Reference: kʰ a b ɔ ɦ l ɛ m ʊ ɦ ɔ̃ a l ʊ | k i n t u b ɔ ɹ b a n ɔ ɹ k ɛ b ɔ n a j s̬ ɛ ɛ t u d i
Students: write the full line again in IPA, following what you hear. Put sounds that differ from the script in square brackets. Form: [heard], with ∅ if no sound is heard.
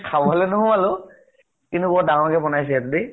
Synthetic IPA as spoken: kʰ a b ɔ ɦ l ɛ [n] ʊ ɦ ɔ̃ a l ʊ | k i n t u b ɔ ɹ [d] a [ŋ] ɔ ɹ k ɛ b ɔ n a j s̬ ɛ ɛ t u d i